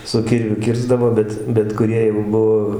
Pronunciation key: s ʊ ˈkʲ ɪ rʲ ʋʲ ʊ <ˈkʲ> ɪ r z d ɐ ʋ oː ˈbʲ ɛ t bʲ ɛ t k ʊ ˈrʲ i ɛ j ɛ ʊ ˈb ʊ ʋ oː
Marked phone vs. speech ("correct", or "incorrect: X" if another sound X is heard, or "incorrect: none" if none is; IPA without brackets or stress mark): correct